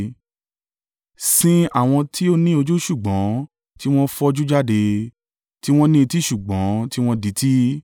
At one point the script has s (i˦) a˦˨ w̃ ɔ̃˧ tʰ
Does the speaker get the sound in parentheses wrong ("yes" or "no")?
yes